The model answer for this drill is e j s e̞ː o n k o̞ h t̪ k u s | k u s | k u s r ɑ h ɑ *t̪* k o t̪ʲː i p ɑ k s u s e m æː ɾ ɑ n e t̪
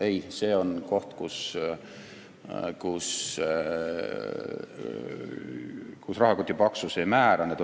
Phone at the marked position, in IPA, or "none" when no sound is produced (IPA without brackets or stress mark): none